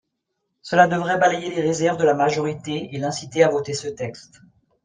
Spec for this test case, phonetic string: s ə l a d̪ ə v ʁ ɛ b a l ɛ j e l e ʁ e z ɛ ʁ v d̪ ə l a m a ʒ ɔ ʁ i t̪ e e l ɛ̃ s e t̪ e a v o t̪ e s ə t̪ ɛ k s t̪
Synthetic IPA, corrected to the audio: s ə l a d̪ ə v ʁ ɛ b a l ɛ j e l e ʁ e z ɛ ʁ v d̪ ə l a m a ʒ ɔ ʁ i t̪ e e l ɛ̃ s i t̪ e a v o t̪ e s ə t̪ ɛ k s t̪